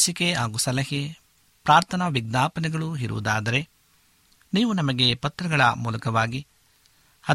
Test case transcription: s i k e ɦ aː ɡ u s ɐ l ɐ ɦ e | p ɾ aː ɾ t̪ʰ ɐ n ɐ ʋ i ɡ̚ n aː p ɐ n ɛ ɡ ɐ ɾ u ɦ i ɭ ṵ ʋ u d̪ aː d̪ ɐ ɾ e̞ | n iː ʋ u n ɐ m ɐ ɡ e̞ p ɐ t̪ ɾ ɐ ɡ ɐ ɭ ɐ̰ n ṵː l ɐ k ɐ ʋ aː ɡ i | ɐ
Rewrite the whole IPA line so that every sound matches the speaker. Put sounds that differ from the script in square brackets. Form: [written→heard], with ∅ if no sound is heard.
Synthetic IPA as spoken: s i k e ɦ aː ɡ u s ɐ l ɐ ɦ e | p ɾ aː ɾ t̪ʰ ɐ n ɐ ʋ i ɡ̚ n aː p ɐ n ɛ ɡ ɐ [ɾ→ɭ] u ɦ i [ɭ→ɾ] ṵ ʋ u d̪ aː d̪ ɐ ɾ e̞ | n iː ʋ u n ɐ m ɐ ɡ e̞ p ɐ t̪ ɾ ɐ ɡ ɐ ɭ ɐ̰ [n→m] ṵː l ɐ k ɐ ʋ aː ɡ i | ɐ